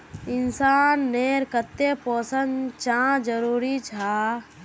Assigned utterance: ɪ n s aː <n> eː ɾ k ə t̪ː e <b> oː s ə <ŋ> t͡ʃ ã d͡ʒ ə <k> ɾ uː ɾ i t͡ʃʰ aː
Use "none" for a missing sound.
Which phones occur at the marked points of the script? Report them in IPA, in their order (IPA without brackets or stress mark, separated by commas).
nː, p, n, none